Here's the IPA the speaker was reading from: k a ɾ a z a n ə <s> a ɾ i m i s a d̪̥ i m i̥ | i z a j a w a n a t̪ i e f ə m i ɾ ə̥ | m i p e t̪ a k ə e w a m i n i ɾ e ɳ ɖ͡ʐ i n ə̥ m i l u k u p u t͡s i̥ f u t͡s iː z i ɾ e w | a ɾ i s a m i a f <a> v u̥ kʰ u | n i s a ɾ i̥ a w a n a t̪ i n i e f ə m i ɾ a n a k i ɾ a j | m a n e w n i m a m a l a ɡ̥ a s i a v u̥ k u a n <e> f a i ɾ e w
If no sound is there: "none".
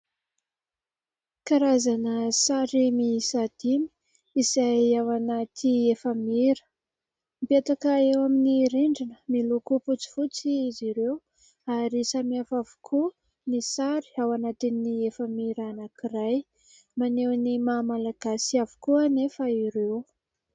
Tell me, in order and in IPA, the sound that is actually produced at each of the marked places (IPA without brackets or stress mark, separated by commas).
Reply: s, a, e